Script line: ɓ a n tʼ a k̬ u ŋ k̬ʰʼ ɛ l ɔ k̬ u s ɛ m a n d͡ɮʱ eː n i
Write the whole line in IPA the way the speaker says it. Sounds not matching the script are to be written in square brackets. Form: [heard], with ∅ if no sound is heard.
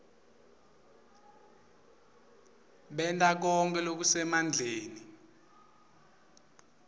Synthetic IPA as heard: ɓ [ɛ] n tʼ a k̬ [ɔ] ŋ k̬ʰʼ ɛ l [o] k̬ u s ɛ m a n d͡ɮʱ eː n i